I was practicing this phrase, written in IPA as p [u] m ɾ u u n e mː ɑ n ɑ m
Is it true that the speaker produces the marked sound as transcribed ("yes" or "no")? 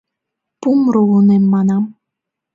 yes